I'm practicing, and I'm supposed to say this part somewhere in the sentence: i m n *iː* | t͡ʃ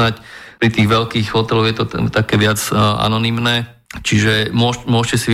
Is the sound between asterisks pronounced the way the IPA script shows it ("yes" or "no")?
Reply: no